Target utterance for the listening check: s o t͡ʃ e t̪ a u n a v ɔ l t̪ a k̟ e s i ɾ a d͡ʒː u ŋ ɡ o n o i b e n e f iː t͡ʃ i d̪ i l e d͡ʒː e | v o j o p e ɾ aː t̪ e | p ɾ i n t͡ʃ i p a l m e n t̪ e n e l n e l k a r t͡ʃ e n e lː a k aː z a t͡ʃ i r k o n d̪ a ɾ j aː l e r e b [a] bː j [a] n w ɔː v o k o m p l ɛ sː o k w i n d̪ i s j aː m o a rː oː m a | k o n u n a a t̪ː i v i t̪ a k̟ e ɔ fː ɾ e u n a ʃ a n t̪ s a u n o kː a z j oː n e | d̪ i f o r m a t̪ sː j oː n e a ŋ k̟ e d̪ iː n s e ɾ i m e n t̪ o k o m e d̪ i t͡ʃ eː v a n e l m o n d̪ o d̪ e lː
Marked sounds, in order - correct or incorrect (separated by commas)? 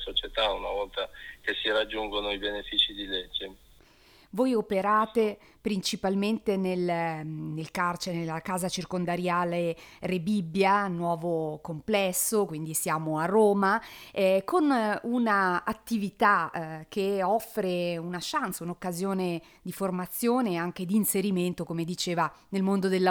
incorrect, correct